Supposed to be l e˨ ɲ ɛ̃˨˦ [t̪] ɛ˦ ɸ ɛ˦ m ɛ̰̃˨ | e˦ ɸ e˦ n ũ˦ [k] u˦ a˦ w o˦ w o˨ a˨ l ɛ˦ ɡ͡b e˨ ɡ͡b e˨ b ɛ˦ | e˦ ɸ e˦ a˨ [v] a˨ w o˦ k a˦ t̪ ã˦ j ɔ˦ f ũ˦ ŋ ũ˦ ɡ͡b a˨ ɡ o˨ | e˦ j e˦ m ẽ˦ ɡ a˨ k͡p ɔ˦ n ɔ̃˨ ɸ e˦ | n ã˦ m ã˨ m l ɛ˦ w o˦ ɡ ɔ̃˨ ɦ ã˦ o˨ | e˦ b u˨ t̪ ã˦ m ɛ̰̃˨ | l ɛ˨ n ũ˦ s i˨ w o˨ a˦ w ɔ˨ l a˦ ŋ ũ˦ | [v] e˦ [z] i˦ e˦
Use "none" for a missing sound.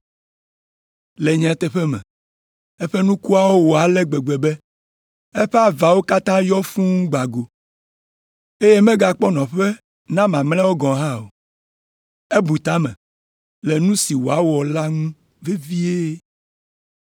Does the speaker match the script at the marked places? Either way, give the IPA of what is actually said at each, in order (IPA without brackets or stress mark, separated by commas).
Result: t̪, k, v, v, v